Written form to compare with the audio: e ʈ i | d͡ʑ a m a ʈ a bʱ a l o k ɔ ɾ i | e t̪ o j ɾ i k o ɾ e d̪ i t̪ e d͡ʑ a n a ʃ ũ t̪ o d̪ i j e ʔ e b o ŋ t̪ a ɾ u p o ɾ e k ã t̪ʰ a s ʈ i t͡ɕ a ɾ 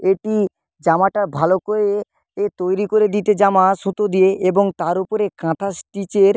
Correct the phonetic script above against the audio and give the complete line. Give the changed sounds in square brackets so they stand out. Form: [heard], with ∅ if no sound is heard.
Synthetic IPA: e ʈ i | d͡ʑ a m a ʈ a bʱ a l o k [o] ɾ [e] | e t̪ o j ɾ i k o ɾ e d̪ i t̪ e d͡ʑ a [m] a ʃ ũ t̪ o d̪ i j e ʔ e b o ŋ t̪ a ɾ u p o ɾ e k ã t̪ʰ a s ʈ i t͡ɕ [e] ɾ

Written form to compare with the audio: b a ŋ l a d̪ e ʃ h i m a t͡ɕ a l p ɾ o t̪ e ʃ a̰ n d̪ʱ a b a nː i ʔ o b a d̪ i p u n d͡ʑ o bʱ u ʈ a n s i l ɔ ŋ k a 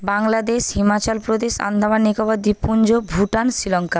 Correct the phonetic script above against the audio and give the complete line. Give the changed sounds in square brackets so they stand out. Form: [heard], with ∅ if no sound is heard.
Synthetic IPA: b a ŋ l a d̪ e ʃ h i m a t͡ɕ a l p ɾ o [d̪] e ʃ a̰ n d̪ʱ a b a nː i [k] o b a d̪ i p u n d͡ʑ o bʱ u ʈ a n s i l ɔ ŋ k a

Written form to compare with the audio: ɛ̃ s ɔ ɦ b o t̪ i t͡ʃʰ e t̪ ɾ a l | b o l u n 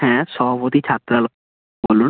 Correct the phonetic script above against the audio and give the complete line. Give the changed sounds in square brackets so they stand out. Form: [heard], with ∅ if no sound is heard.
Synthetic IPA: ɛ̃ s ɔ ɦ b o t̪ i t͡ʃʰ [a] t̪ ɾ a l | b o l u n

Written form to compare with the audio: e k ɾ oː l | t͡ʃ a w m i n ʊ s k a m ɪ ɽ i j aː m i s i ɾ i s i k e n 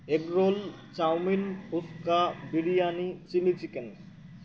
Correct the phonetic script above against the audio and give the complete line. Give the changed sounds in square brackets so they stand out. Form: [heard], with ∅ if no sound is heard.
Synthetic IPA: e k ɾ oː l | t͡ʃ a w m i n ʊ s k a [b] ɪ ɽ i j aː [n] i s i [l] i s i k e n

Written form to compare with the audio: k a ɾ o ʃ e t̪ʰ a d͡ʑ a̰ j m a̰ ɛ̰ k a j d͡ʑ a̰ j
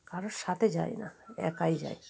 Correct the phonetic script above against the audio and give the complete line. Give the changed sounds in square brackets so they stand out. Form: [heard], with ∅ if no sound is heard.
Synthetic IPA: k a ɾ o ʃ [a] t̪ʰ [e] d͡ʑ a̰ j [n] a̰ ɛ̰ k a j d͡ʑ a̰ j

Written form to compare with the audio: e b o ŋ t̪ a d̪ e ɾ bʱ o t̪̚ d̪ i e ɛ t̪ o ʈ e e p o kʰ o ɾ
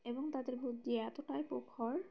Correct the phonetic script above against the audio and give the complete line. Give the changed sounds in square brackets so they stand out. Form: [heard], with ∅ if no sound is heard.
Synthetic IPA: e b o ŋ t̪ a d̪ e ɾ bʱ [u] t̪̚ d̪ i e ɛ t̪ o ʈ [a] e p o kʰ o ɾ

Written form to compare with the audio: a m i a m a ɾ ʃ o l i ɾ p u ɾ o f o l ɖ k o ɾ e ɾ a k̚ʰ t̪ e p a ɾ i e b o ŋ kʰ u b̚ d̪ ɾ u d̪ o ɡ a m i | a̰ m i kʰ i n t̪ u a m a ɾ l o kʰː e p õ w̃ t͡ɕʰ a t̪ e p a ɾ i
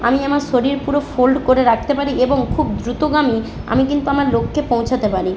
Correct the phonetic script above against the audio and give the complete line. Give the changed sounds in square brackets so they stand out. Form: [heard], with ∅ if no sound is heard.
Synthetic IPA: a m i a m a ɾ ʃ o [ɾ] i ɾ p u ɾ o f o l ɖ k o ɾ e ɾ a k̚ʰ t̪ e p a ɾ i e b o ŋ kʰ u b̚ d̪ ɾ u [t̪] o ɡ a m i | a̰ m i [k] i n t̪ u a m a ɾ l o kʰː e p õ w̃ t͡ɕʰ a t̪ e p a ɾ i

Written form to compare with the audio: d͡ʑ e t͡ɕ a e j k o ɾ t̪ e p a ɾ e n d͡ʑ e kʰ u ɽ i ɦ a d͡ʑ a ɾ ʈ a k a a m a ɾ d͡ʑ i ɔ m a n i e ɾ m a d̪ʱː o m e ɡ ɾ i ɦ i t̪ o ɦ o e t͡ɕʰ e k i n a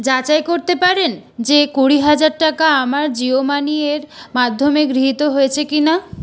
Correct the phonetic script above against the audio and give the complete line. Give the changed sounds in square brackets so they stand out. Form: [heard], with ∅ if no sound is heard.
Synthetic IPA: d͡ʑ [a] t͡ɕ a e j k o ɾ t̪ e p a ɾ e n d͡ʑ e [k] u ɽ i ɦ a d͡ʑ a ɾ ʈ a k a a m a ɾ d͡ʑ i [o] m a n i e ɾ m a d̪ʱː o m e ɡ ɾ i ɦ i t̪ o ɦ o e t͡ɕʰ e k i n a

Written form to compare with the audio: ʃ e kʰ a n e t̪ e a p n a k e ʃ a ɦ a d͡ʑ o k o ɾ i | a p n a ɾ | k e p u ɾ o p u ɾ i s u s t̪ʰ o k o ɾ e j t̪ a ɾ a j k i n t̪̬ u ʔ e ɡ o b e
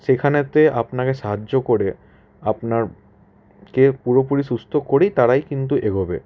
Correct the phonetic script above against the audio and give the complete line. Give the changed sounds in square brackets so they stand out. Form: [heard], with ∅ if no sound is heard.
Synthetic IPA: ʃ e kʰ a n e t̪ e a p n a k e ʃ a ɦ a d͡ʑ o k o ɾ [e] | a p n a ɾ | k e p u ɾ o p u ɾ i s u s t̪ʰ o k o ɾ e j t̪ a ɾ a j k i n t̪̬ u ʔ e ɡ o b e

